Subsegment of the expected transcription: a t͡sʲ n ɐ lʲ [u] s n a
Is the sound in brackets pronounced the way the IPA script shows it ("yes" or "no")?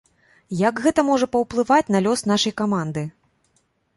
no